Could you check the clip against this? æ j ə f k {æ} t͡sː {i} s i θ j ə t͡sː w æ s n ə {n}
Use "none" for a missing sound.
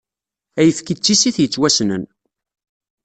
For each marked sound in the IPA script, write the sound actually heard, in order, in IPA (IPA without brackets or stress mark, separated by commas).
i, i, n